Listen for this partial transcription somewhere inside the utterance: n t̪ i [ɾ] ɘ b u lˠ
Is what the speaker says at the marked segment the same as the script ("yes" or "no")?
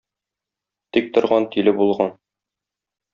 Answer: no